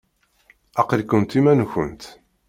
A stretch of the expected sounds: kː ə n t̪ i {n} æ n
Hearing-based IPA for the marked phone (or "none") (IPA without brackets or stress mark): m